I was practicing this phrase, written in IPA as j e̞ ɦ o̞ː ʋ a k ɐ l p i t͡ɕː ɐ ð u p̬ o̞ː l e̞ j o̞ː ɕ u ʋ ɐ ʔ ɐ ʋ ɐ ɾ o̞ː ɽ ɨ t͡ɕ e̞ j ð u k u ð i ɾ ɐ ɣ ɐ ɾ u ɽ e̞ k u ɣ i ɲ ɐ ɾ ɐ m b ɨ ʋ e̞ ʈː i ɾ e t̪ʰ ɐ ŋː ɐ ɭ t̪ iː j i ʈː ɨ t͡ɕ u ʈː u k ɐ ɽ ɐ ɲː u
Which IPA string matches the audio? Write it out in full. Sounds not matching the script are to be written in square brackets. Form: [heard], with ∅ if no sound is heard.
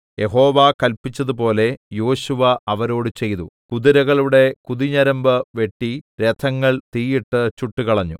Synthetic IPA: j e̞ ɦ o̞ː ʋ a k ɐ l p i t͡ɕː ɐ ð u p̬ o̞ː l e̞ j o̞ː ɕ u ʋ ɐ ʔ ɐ ʋ ɐ ɾ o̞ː ɽ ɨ t͡ɕ e̞ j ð u k u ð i ɾ ɐ ɣ ɐ [ɭ] u ɽ e̞ k u [ð] i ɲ ɐ ɾ ɐ m b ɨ ʋ e̞ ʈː i ɾ e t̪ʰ ɐ ŋː ɐ ɭ t̪ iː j i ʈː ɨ t͡ɕ u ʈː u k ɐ [ɭ] ɐ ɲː u